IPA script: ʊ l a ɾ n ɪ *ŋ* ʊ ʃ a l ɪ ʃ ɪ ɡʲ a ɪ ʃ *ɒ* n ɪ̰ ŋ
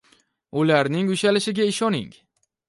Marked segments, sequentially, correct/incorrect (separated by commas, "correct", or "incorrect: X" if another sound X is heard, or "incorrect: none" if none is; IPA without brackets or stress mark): correct, correct